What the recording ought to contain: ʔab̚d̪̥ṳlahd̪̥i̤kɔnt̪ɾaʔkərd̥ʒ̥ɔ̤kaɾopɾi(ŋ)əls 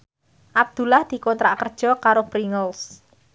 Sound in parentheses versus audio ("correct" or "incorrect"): correct